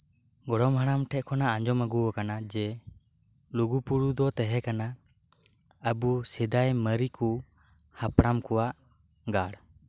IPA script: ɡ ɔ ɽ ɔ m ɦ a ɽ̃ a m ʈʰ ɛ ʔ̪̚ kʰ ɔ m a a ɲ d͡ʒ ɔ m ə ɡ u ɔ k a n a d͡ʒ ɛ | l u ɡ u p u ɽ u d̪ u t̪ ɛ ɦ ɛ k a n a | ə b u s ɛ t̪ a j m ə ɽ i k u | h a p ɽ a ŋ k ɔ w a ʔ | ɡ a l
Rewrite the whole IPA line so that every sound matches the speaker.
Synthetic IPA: ɡ ɔ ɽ ɔ m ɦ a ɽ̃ a m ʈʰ ɛ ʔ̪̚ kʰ ɔ n a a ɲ d͡ʒ ɔ m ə ɡ u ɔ k a n a d͡ʒ ɛ | l u ɡ u p u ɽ u d̪ ɔ t̪ ɛ ɦ ɛ k a n a | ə b u s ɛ d̪ a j m ə ɾ i k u | h a p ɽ a m k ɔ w a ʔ | ɡ a ɽ